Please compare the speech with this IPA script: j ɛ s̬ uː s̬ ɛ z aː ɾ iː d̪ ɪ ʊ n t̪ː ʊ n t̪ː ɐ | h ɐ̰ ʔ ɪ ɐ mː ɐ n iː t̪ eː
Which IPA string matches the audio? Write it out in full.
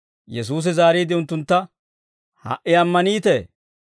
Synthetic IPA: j ɛ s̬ uː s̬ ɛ z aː ɾ iː d̪ ɪ ʊ n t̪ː ʊ n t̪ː ɐ | h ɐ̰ ʔ ɪ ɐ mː ɐ n iː t̪ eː